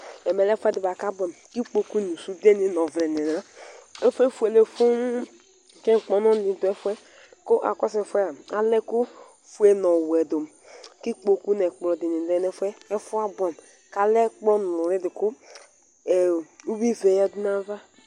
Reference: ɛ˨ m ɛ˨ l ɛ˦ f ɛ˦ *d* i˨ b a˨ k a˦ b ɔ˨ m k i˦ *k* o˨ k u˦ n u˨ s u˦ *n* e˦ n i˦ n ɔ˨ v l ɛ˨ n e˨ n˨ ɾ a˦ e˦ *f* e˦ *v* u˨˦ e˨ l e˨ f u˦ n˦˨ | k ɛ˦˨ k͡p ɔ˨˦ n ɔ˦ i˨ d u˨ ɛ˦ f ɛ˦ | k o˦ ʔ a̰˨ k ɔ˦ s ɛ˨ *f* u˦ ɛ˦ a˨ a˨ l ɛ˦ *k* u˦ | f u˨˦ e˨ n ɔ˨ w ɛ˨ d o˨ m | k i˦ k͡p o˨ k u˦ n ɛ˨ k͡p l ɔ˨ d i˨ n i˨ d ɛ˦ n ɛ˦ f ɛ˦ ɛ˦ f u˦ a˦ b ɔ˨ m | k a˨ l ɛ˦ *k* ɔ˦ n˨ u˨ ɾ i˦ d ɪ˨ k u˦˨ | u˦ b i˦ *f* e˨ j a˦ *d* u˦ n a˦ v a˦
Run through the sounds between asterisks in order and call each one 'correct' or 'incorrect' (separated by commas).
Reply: correct, incorrect, incorrect, correct, incorrect, correct, correct, incorrect, incorrect, correct